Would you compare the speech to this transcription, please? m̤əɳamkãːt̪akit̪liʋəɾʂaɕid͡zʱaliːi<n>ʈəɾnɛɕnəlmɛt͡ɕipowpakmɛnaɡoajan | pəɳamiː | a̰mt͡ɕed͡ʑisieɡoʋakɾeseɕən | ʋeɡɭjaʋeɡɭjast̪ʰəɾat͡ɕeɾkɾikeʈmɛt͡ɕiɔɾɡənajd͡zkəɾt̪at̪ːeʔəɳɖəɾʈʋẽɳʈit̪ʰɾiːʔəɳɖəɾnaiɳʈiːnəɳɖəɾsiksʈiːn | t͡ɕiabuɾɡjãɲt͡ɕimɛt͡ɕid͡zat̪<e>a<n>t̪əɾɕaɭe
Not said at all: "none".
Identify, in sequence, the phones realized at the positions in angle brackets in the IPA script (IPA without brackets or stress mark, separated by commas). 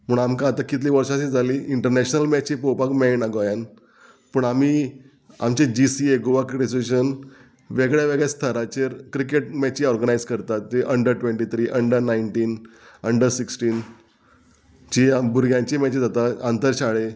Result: ɳ, a, n